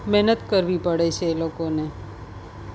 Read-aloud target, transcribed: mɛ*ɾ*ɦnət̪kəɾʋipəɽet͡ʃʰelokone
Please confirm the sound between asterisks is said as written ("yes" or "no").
no